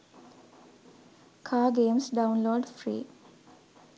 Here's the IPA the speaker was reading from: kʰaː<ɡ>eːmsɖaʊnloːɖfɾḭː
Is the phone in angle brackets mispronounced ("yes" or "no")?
no